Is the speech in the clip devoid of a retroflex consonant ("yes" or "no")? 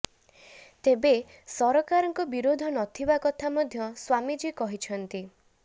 yes